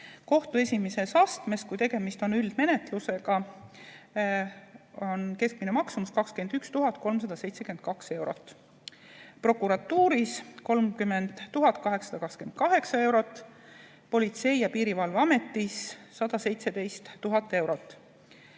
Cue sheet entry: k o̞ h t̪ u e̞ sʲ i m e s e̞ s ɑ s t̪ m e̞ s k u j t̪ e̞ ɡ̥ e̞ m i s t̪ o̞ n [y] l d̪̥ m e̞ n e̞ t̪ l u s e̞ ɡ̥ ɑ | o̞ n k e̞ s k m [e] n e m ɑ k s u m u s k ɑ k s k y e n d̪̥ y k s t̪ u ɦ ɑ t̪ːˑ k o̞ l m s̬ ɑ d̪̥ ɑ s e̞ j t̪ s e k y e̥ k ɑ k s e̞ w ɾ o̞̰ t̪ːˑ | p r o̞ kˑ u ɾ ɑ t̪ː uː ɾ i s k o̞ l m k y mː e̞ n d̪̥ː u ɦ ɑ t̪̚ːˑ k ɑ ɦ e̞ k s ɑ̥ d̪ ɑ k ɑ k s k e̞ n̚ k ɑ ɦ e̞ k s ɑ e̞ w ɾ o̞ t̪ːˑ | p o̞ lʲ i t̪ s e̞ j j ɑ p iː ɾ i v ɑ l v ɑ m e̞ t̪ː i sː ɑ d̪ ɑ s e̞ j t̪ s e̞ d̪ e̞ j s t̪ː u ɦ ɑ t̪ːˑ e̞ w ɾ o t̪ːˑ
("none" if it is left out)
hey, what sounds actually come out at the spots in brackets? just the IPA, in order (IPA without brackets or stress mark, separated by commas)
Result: y, i